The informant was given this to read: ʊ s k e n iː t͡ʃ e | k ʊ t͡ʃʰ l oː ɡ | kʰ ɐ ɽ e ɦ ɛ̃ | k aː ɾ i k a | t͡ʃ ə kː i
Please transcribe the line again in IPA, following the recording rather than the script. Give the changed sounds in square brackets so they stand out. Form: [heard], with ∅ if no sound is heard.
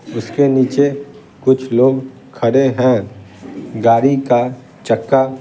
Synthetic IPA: ʊ s k e n iː t͡ʃ e | k ʊ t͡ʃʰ l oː ɡ | kʰ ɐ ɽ e ɦ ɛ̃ | [ɡ] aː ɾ i k a | t͡ʃ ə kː [a]